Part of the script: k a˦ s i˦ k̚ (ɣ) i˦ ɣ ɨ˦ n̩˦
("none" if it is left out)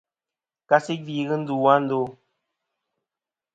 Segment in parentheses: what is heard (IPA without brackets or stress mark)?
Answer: v